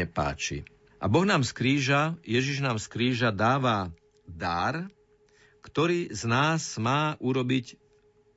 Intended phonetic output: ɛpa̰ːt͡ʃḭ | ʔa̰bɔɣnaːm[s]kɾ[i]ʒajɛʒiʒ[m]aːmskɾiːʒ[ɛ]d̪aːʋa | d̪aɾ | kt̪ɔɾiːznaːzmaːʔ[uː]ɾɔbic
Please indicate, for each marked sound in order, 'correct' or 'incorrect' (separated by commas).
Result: correct, incorrect, incorrect, incorrect, incorrect